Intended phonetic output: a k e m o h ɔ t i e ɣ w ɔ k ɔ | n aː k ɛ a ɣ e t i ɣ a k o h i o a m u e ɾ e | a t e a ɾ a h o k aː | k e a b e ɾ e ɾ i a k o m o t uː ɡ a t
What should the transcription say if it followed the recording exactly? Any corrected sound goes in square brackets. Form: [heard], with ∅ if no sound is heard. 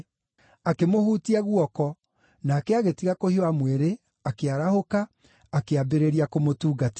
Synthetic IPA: a k e m o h [u] t i [a] ɣ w ɔ k ɔ | n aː k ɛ a ɣ e t i ɣ a k o h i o a m [w] e ɾ e | a [k] e a ɾ a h o k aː | k e a b e ɾ e ɾ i a k o m o t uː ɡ a t